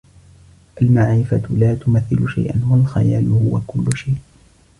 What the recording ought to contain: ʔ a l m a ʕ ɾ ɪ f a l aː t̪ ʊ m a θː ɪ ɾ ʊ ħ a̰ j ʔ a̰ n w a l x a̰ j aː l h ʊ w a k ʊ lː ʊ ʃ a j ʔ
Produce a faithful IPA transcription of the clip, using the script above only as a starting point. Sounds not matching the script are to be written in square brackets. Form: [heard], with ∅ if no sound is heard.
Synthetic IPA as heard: ʔ a l m a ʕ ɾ ɪ f a l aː t̪ ʊ m a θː ɪ [l] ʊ [ʃ] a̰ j ʔ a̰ n w a l x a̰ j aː l h ʊ w a k ʊ lː ʊ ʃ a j ʔ